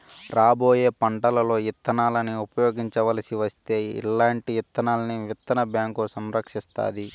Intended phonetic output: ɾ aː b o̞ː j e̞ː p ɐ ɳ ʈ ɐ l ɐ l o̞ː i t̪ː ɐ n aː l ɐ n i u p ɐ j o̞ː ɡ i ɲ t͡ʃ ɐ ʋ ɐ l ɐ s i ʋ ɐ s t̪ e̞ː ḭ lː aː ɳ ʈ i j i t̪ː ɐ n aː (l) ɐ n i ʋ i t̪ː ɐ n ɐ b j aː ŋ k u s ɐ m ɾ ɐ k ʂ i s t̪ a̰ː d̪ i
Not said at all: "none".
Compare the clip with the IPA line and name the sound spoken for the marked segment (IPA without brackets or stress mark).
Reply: l